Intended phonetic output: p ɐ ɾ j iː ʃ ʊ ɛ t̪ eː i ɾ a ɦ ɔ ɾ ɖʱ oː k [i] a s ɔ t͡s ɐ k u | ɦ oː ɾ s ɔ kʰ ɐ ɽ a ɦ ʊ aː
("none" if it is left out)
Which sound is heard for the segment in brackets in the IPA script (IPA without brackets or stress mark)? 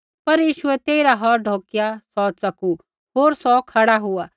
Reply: j